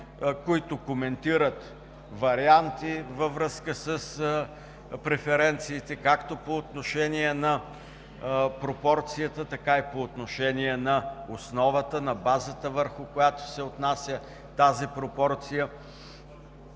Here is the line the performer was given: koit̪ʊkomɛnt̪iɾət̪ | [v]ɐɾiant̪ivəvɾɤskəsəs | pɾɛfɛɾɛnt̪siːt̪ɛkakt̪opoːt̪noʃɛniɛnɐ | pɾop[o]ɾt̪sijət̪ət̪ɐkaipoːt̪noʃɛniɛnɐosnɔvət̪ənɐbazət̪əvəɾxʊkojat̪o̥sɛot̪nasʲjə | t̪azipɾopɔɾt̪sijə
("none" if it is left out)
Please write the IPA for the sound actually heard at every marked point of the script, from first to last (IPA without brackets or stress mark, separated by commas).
v, ɔ